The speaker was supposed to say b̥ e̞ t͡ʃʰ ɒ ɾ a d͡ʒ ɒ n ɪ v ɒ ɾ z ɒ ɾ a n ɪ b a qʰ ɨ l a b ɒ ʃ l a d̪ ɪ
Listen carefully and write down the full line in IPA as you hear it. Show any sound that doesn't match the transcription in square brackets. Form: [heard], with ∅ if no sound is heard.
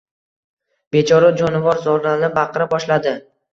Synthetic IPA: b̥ e̞ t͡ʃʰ ɒ ɾ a d͡ʒ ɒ n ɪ v ɒ ɾ z ɒ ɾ a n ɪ b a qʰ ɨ [ɾ] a b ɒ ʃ l a d̪ ɪ

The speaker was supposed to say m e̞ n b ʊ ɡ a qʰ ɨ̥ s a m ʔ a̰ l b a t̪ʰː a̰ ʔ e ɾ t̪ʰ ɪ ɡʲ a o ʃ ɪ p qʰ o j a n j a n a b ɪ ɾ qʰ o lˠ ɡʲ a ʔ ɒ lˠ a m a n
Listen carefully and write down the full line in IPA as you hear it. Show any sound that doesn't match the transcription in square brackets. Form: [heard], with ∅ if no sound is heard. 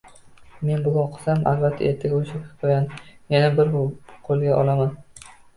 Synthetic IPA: m e̞ n b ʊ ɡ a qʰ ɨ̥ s a m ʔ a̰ l b a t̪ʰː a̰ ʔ e ɾ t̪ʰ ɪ ɡʲ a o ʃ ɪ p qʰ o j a n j a n a b ɪ ɾ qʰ o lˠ ɡʲ a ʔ ɒ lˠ a m a n

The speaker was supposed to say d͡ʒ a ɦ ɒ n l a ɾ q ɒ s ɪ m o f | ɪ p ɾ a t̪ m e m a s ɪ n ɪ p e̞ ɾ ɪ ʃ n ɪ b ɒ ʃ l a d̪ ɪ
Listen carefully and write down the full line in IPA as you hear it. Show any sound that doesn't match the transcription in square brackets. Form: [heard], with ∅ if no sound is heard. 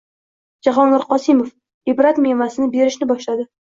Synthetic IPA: d͡ʒ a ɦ ɒ n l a ɾ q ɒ s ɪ m o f | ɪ [b] ɾ a t̪ m e m a s ɪ n ɪ [b] e̞ ɾ ɪ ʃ n ɪ b ɒ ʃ l a d̪ ɪ

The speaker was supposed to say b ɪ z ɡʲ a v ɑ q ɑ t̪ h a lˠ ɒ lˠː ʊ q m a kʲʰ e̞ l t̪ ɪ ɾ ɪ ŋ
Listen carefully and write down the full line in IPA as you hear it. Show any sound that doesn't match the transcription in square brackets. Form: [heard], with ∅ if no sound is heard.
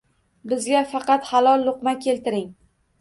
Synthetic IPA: b ɪ z ɡʲ a [f] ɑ q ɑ t̪ h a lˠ ɒ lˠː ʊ q m a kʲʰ e̞ l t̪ ɪ ɾ ɪ ŋ

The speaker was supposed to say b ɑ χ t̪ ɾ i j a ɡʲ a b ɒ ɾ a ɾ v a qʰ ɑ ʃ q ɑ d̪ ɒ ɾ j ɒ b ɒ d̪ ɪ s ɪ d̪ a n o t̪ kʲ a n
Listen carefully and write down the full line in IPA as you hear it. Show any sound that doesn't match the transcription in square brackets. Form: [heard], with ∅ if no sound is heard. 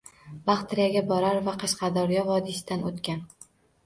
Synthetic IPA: b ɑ χ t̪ ɾ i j a ɡʲ a b ɒ ɾ a ɾ v a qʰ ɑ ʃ q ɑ d̪ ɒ ɾ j ɒ [v] ɒ d̪ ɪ s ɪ d̪ a n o t̪ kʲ a n

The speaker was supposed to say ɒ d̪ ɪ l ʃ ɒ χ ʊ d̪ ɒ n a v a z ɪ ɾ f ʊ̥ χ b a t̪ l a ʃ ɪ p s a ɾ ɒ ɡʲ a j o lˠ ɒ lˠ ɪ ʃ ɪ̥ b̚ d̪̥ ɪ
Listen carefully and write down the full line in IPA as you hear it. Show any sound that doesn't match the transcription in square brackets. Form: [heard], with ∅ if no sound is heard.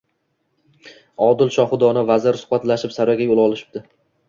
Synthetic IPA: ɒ d̪ ɪ l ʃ ɒ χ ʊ d̪ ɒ n a v a z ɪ ɾ [s] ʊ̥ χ b a t̪ l a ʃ ɪ p s a ɾ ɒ ɡʲ a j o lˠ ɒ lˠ ɪ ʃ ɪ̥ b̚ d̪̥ ɪ

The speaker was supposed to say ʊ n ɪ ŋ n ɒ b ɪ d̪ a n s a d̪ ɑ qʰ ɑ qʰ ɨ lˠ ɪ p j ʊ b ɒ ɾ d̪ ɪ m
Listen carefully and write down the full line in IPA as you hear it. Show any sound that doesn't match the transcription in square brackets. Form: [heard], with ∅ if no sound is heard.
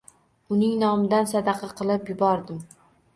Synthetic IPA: ʊ n ɪ ŋ n ɒ [m] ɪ d̪ a n s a d̪ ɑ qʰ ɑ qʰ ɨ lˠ ɪ p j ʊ b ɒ ɾ d̪ ɪ m

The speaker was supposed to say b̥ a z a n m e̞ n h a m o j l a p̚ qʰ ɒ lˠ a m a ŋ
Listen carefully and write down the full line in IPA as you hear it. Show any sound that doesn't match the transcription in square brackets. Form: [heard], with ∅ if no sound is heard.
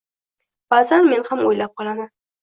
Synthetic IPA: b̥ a z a n m e̞ n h a m o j l a p̚ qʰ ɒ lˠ a m a [n]

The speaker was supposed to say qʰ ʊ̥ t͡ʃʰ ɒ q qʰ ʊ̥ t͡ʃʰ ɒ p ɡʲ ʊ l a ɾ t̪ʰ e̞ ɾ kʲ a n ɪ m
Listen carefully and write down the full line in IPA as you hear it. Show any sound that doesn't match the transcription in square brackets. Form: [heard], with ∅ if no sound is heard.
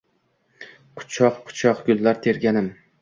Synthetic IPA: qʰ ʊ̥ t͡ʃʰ ɒ q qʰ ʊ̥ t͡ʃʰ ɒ [q] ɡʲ ʊ [lː] a ɾ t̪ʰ e̞ ɾ [ɡʲ] a n ɪ m

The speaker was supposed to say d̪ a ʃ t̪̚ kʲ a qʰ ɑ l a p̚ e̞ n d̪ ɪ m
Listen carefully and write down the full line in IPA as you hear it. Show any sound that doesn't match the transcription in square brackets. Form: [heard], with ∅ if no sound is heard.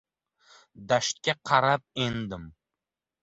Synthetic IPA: d̪ a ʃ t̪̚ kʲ a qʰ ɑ [ɾ] a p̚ e̞ n d̪ ɪ m

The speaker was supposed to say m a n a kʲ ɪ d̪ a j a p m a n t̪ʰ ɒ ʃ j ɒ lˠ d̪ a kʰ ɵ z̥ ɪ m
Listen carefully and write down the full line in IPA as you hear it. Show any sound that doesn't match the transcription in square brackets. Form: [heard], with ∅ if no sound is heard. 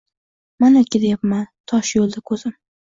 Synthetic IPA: m a n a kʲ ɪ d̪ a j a p m a n t̪ʰ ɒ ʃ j [o] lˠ d̪ a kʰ ɵ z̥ ɪ m

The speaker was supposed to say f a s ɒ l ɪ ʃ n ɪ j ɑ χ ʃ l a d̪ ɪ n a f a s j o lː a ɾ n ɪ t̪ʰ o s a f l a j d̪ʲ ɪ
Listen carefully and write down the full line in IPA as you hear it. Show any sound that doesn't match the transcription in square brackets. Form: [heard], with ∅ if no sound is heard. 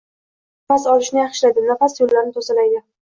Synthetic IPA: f a s ɒ l ɪ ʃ n ɪ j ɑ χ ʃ l a d̪ ɪ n a f a s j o lː a ɾ n ɪ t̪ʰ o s a [∅] l a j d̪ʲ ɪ

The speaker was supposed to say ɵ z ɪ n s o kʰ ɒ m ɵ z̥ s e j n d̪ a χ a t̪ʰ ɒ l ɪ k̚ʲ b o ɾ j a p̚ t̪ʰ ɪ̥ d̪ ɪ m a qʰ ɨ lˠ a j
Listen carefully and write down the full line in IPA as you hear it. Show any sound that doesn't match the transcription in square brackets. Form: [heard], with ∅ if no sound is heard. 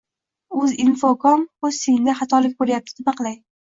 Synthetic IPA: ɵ z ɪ n [f] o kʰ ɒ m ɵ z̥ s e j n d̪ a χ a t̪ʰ ɒ l ɪ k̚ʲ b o ɾ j a p̚ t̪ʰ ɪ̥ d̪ ɪ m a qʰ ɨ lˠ a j

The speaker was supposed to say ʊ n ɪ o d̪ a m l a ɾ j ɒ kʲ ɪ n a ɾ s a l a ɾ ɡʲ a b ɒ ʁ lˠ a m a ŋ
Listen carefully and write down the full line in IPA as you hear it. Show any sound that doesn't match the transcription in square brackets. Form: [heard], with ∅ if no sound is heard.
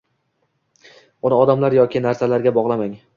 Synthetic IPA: ʊ n ɪ [ɒ] d̪ a m l a ɾ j ɒ kʲ ɪ n a ɾ s a l a ɾ ɡʲ a b ɒ ʁ lˠ a m a ŋ

